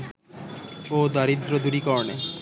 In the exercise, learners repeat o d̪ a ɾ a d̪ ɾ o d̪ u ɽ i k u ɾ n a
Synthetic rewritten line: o d̪ a ɾ i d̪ ɾ o d̪ u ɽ i k ɔ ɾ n e